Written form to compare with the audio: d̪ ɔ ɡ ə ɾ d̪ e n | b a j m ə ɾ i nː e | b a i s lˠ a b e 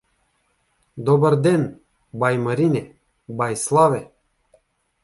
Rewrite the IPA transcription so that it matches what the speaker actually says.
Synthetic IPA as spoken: d̪ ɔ b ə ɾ d̪ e n | b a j m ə ɾ i n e | b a j s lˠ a v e